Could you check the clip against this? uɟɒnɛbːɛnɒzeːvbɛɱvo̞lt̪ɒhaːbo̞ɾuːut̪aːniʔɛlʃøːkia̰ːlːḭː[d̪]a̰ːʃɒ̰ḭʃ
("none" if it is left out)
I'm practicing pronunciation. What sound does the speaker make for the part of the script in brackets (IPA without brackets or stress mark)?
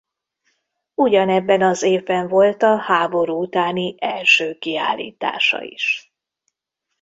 t̪